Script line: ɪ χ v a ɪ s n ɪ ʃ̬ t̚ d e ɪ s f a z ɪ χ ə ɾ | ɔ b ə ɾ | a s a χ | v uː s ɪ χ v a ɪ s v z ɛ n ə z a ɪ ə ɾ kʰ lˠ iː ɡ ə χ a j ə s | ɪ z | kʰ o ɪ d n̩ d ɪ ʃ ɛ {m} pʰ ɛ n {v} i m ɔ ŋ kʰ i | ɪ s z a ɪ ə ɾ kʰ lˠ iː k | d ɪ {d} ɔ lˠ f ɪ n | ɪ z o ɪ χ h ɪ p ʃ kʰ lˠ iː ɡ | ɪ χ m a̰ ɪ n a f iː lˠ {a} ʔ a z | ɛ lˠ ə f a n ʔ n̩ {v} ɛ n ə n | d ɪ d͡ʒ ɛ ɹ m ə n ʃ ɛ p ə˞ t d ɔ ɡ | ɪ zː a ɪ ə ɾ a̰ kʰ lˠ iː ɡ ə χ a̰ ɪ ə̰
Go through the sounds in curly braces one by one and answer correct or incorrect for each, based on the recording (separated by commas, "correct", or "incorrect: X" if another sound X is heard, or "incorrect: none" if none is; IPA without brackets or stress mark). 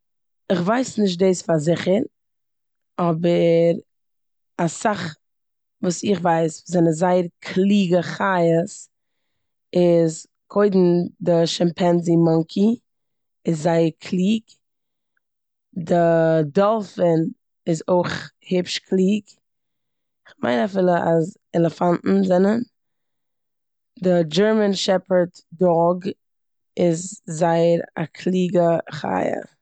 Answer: correct, incorrect: z, correct, incorrect: ə, incorrect: z